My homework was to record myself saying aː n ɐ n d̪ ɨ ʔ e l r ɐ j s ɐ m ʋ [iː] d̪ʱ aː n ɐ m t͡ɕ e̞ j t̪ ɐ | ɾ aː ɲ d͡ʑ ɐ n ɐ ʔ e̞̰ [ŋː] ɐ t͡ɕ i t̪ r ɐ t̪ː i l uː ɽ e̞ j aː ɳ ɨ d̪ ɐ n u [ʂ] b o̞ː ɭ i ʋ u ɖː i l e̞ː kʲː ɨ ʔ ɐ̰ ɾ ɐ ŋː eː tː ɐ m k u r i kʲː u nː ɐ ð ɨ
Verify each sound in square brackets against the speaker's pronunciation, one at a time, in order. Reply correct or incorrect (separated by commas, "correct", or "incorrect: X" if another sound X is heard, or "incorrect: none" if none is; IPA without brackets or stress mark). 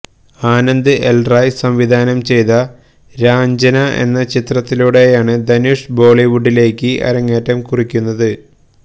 incorrect: i, incorrect: nː, correct